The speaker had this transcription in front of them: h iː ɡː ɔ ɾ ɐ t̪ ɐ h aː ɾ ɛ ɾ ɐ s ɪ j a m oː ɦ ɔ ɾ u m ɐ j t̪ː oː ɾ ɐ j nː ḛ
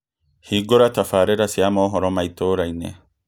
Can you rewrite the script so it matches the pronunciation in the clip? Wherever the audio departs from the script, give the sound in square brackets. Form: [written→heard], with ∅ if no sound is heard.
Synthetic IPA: h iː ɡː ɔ ɾ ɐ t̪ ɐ [h→f] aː ɾ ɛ ɾ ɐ s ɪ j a m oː ɦ ɔ ɾ [u→ɔ] m ɐ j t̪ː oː ɾ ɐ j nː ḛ